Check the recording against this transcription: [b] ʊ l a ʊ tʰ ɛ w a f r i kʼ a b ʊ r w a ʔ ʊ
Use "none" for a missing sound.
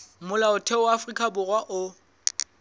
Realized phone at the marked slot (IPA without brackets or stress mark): m